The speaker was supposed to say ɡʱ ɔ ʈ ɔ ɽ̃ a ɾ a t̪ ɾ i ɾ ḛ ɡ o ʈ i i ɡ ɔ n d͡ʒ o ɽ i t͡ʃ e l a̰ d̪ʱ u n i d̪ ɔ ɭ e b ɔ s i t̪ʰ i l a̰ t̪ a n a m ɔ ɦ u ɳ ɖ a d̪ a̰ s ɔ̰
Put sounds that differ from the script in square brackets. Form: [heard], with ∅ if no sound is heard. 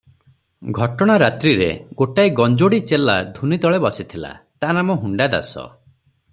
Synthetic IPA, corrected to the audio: ɡʱ ɔ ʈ ɔ ɽ̃ a ɾ a t̪ ɾ i ɾ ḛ ɡ o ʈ [a] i ɡ ɔ n d͡ʒ o ɽ i t͡ʃ e l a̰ d̪ʱ u n i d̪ ɔ ɭ e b ɔ s i t̪ʰ i l a̰ t̪ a n a m ɔ ɦ u ɳ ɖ a d̪ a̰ s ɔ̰